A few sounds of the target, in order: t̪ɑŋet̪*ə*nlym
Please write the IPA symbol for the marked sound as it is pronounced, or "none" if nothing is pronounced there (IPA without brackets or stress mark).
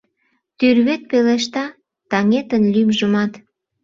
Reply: ə